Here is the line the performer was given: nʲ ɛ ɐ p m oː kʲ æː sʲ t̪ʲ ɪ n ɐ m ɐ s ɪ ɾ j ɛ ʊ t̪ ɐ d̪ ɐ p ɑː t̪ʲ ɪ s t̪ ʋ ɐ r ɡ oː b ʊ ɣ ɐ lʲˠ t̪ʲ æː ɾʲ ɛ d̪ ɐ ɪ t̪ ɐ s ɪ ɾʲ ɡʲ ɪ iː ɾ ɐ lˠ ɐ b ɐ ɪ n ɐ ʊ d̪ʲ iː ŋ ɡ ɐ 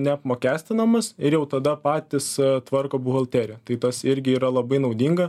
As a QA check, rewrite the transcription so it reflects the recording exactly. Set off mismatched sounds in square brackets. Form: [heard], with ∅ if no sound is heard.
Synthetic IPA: nʲ ɛ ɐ p m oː kʲ æː sʲ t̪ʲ ɪ n ɐ m ɐ s ɪ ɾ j ɛ ʊ t̪ ɐ d̪ ɐ p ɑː t̪ʲ ɪ s t̪ ʋ ɐ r [k] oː b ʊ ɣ ɐ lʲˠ t̪ʲ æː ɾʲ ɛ [t̪] ɐ ɪ t̪ ɐ s ɪ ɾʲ ɡʲ ɪ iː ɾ ɐ lˠ ɐ b ɐ ɪ n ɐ ʊ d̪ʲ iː ŋ ɡ ɐ